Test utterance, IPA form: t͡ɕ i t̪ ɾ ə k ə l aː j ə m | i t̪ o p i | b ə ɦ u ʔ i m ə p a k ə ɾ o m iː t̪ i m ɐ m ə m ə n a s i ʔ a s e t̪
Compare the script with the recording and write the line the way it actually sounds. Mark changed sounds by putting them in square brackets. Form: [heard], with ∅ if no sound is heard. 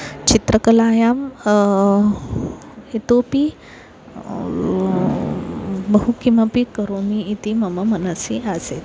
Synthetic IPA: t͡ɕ i t̪ ɾ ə k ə l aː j [a] m | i t̪ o p i | b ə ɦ u [k] i m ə p [i] k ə ɾ o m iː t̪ i m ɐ m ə m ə n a s i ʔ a s e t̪